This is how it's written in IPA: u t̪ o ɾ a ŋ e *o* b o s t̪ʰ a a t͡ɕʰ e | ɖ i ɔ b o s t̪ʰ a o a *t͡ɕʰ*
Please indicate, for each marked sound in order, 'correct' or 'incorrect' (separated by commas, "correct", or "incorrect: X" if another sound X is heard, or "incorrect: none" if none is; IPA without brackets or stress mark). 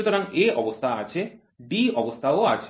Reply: incorrect: ɔ, correct